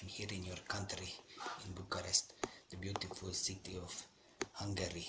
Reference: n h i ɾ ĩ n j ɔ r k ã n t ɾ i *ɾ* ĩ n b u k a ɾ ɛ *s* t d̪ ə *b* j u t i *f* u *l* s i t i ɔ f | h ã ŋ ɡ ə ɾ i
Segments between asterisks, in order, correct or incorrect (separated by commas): incorrect, correct, correct, correct, correct